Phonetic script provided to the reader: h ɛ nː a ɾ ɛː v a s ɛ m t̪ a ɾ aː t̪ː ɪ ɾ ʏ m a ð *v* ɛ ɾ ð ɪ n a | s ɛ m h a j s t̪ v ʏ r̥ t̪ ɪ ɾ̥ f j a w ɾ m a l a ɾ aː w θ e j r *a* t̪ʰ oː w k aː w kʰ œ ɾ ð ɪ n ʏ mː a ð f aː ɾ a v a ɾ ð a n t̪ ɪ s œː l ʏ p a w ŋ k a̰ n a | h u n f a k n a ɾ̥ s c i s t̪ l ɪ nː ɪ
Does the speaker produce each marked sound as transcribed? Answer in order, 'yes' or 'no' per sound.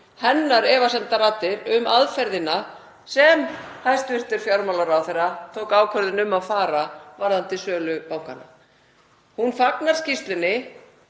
no, yes

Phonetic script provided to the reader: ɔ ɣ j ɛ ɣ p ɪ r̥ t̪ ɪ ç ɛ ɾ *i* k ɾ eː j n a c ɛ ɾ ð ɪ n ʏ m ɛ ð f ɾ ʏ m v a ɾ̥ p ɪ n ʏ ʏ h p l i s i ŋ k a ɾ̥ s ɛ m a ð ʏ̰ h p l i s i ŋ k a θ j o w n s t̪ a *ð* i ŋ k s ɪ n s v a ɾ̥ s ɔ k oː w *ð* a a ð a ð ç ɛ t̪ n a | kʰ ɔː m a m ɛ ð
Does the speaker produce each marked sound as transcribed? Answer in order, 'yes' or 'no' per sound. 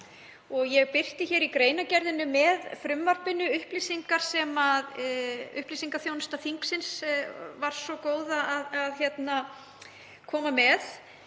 yes, no, yes

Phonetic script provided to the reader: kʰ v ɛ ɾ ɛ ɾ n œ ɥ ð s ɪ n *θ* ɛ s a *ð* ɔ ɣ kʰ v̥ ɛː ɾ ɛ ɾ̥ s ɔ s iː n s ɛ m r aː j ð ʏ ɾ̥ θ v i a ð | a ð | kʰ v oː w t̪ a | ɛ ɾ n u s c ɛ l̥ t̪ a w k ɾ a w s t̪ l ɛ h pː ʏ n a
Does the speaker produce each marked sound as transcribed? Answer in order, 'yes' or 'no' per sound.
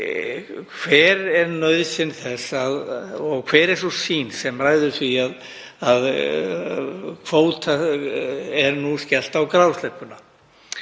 yes, yes

